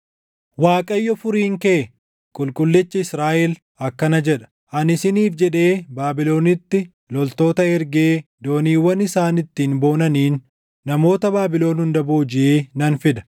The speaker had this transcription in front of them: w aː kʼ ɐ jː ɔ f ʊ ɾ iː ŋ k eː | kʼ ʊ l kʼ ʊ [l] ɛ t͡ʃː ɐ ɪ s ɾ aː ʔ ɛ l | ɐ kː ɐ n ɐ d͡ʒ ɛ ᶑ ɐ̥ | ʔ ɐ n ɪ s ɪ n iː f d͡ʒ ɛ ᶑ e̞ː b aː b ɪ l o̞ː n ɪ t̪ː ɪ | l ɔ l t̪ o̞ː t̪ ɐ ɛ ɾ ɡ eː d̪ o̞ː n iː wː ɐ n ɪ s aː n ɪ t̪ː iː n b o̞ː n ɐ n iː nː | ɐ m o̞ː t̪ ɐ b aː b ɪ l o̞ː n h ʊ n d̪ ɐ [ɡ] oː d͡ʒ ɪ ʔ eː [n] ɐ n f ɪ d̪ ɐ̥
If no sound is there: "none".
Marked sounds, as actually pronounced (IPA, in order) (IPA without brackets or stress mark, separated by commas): lː, b, n